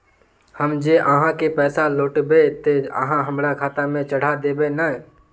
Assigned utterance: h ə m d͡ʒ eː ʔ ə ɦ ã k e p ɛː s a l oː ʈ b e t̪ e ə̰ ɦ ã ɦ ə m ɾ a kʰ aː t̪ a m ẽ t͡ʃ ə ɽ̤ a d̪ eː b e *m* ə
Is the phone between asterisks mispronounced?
yes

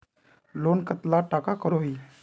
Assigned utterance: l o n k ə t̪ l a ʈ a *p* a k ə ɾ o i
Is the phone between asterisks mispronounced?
yes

